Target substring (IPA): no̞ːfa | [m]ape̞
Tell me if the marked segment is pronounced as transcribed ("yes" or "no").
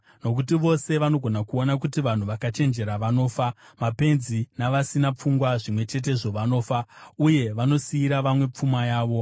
yes